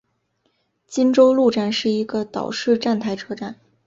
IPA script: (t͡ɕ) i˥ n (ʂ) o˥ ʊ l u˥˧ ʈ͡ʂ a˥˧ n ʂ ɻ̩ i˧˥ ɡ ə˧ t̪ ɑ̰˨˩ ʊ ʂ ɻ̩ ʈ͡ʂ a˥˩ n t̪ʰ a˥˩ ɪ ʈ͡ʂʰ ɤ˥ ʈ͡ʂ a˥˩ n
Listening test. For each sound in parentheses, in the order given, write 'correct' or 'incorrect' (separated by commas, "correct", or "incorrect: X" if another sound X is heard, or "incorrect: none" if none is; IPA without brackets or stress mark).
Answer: correct, incorrect: ʈ͡ʂ